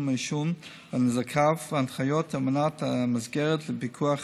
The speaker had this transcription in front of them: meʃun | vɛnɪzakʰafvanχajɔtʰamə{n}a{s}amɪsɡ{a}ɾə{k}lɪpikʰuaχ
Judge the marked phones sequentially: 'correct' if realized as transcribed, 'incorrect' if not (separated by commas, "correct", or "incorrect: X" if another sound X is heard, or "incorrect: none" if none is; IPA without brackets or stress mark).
correct, incorrect: t, incorrect: ɛ, incorrect: t